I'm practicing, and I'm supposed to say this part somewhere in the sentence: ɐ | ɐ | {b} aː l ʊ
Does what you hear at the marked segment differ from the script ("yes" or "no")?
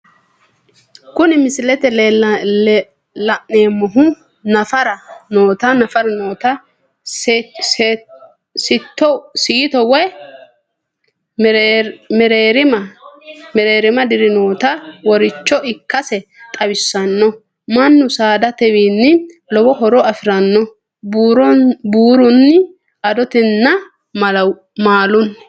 yes